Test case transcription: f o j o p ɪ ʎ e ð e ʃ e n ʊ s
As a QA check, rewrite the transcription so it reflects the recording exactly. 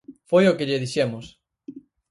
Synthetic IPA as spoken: f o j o k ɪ ʎ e ð i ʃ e m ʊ s